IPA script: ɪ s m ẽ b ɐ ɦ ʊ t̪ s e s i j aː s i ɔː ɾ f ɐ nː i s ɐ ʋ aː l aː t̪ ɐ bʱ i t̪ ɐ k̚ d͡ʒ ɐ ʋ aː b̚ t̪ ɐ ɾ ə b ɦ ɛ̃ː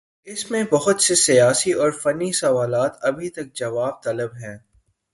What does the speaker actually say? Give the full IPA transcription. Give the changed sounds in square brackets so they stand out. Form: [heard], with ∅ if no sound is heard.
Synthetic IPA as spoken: ɪ s m ẽ b ɐ ɦ ʊ t̪ s e s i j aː s i ɔː ɾ f ɐ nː i s ɐ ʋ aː l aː t̪ ɐ bʱ i t̪ ɐ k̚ d͡ʒ ɐ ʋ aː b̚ t̪ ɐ [l] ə b ɦ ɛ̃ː